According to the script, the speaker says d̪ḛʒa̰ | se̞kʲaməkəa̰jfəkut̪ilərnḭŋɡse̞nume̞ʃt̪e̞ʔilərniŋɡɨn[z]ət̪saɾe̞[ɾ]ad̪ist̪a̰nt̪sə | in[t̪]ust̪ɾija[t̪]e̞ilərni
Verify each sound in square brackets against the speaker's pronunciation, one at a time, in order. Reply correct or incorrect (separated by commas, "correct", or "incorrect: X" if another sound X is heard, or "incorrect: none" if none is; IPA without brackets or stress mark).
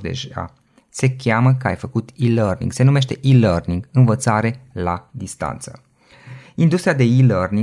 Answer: incorrect: v, incorrect: l, incorrect: d̪, incorrect: d̪